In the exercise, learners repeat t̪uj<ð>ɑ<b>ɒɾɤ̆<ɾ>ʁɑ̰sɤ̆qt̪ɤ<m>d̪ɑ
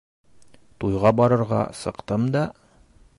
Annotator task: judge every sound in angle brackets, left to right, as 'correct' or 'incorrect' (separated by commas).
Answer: incorrect, correct, correct, correct